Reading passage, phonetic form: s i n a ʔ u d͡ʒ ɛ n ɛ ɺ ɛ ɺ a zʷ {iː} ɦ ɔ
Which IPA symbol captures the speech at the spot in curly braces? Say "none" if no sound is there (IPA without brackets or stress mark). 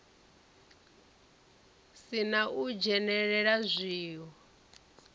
iː